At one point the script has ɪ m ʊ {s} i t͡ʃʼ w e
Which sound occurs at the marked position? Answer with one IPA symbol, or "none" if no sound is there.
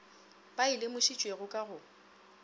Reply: ʃ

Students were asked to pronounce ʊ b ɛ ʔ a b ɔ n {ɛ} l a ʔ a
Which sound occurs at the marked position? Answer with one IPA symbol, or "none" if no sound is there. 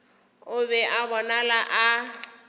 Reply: a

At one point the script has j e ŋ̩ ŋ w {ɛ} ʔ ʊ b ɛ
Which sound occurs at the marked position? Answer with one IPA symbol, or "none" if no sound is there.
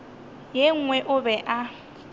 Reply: ɛ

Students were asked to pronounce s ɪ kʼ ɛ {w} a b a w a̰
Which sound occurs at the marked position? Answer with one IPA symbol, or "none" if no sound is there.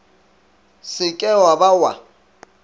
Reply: w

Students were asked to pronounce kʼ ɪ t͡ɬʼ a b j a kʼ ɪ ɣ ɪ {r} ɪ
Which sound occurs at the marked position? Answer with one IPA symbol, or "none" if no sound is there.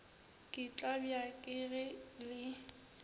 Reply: l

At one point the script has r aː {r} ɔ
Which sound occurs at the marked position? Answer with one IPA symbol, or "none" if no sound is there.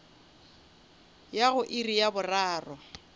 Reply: r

